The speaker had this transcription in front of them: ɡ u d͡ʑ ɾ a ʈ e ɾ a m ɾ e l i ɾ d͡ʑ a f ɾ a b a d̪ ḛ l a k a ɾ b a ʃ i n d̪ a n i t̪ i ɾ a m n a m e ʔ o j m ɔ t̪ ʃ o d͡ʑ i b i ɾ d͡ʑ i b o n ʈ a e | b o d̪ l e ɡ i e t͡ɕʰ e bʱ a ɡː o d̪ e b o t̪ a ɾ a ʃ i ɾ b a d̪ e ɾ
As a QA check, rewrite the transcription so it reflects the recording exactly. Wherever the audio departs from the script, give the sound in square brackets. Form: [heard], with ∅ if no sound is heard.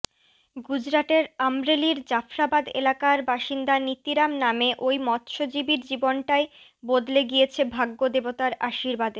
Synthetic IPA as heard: ɡ u d͡ʑ ɾ a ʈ e ɾ a m ɾ e l i ɾ d͡ʑ a f ɾ a b a d̪ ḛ l a k a ɾ b a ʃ i n d̪ a n i t̪ i ɾ a m n a m e ʔ o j m ɔ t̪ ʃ o d͡ʑ i b i ɾ d͡ʑ i b o n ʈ a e | b o d̪ l e ɡ i e t͡ɕʰ e bʱ a ɡː o d̪ e b o t̪ a ɾ a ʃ i ɾ b a d̪ e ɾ